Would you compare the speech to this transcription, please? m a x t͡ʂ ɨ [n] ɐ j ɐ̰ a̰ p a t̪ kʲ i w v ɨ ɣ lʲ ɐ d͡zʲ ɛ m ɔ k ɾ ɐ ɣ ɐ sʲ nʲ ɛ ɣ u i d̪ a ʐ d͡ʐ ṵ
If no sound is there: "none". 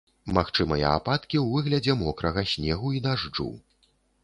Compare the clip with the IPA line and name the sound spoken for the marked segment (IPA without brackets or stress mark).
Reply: m